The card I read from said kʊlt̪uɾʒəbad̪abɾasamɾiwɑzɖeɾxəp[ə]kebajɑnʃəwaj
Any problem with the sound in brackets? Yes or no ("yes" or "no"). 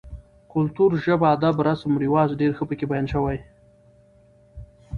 no